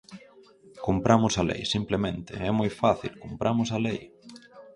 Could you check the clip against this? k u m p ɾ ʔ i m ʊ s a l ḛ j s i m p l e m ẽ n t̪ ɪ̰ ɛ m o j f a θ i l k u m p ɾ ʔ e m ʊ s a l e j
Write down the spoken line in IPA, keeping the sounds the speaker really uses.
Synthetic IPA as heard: k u m p ɾ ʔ a m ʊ s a l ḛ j s i m p l e m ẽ n t̪ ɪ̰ ɛ m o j f a θ i l k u m p ɾ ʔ a m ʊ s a l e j